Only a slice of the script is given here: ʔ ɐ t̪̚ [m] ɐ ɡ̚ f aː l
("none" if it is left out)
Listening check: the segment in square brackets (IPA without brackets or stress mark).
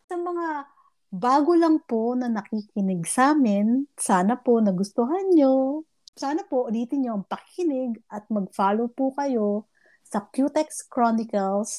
m